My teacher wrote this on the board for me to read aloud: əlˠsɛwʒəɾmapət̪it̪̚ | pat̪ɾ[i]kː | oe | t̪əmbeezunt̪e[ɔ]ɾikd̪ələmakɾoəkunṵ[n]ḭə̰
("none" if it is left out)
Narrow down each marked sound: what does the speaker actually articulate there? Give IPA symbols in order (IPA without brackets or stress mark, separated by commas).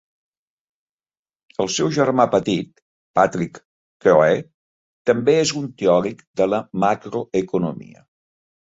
i, ɔ, m